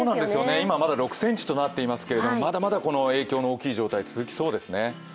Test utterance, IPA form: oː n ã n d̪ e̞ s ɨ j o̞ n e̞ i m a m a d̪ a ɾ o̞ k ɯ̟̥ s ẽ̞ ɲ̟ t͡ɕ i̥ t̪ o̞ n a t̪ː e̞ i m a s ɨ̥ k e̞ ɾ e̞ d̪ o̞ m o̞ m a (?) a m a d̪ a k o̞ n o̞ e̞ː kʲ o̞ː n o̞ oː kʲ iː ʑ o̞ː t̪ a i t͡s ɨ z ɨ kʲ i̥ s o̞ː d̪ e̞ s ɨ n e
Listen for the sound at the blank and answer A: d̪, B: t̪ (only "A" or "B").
A